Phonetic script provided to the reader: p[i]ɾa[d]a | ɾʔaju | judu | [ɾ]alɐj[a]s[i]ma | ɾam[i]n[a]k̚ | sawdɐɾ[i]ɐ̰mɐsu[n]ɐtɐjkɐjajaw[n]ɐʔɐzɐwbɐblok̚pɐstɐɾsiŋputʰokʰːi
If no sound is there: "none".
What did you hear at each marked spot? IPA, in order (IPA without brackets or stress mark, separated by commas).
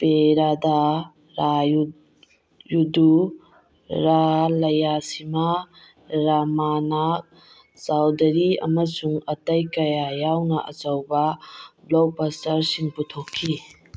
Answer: e, d, ɾ, a, i, a, a, i, ŋ, n